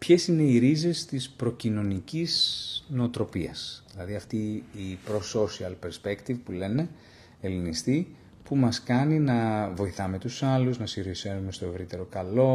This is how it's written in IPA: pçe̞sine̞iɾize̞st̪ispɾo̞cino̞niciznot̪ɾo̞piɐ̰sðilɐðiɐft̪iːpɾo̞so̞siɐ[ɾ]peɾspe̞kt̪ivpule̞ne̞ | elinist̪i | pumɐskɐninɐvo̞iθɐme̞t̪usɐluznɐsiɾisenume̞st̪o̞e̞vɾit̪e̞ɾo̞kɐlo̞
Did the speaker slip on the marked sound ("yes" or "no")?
yes